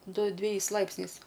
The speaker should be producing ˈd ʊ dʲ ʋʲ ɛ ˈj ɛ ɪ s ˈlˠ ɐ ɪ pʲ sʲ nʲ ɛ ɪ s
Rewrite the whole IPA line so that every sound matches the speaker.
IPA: ˈd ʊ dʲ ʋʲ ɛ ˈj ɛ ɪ s ˈlˠ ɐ ɪ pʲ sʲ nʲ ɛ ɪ s